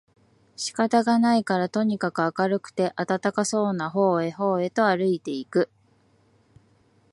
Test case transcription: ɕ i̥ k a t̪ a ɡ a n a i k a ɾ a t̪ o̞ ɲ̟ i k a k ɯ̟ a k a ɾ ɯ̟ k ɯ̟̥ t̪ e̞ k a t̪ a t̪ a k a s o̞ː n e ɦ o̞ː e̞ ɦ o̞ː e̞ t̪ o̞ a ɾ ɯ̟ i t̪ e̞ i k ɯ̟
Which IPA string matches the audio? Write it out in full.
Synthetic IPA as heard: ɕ i̥ k a t̪ a ɡ a n a i k a ɾ a t̪ o̞ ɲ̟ i k a k ɯ̟ a k a ɾ ɯ̟ k ɯ̟̥ t̪ e̞ ʔ a t̪ a t̪ a k a s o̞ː n a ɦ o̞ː e̞ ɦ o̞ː e̞ t̪ o̞ a ɾ ɯ̟ i t̪ e̞ i k ɯ̟